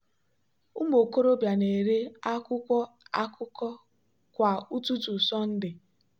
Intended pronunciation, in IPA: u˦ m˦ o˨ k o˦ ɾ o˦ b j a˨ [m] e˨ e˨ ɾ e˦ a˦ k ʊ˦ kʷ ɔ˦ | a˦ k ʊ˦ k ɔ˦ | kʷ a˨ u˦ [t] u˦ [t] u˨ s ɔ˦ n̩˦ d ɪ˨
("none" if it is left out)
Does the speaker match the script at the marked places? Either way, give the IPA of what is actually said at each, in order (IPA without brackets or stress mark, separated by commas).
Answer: n, t, t